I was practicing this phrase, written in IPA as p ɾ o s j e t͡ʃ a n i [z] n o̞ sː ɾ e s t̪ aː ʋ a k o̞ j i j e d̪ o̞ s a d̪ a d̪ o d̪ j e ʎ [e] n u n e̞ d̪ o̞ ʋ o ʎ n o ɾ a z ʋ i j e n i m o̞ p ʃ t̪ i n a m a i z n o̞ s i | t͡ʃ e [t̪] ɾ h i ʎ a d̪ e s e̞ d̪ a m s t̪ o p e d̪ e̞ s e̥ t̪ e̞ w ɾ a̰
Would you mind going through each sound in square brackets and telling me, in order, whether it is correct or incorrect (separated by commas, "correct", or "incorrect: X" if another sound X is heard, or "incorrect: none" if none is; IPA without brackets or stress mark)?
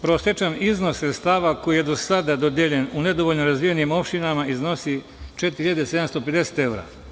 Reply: correct, correct, correct